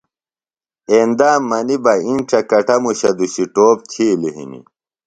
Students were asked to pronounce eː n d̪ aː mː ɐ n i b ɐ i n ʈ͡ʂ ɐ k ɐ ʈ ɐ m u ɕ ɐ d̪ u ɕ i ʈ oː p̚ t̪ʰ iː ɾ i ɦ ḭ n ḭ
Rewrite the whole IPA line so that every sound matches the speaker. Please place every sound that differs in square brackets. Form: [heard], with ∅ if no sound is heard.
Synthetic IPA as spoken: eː n d̪ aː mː ɐ n i b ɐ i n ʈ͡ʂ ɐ k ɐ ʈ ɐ m u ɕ ɐ d̪ u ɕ i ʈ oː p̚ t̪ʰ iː [l] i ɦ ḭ n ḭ